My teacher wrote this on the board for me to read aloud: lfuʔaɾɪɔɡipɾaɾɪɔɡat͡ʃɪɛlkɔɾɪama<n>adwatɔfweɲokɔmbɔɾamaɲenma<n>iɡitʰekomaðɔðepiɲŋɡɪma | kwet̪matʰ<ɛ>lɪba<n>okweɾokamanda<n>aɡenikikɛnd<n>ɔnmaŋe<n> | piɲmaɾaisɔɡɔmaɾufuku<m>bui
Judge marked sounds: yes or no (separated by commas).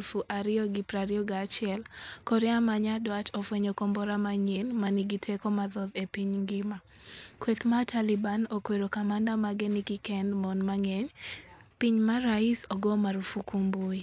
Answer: no, yes, no, yes, no, no, no, yes